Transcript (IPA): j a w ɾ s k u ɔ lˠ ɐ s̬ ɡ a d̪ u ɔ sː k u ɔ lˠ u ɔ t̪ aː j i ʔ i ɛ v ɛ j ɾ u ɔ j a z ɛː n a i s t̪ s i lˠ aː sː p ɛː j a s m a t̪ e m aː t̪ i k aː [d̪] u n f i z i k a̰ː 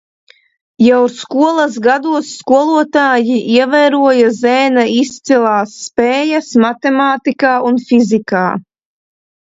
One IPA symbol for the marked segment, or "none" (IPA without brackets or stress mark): none